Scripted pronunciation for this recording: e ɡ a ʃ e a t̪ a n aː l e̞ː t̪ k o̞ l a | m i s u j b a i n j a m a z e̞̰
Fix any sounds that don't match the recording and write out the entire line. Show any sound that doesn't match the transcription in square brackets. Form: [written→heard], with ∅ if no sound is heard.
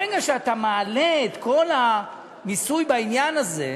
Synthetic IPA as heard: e ɡ a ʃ e a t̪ a [n→m] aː l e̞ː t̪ k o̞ l a | m i s u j b a i n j a [m→n] a z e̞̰